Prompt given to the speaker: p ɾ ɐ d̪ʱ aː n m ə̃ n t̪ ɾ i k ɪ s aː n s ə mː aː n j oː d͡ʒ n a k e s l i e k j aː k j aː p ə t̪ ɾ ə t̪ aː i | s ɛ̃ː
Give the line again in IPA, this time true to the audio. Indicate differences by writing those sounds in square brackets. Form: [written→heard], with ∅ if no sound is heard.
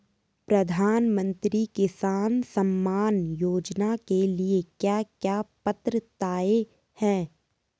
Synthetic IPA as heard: p ɾ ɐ d̪ʱ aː n m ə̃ n t̪ ɾ i k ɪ s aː n s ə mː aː n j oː d͡ʒ n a k e [s→∅] l i e k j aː k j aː p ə t̪ ɾ ə t̪ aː [i→e] | [s→h] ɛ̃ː